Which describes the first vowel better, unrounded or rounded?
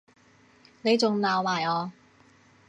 unrounded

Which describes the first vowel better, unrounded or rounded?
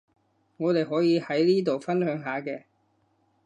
rounded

